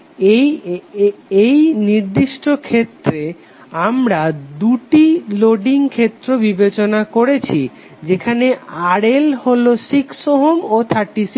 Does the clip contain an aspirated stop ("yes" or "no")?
yes